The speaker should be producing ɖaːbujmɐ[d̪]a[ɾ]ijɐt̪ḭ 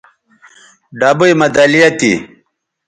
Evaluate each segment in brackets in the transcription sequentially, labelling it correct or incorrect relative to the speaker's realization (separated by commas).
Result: correct, incorrect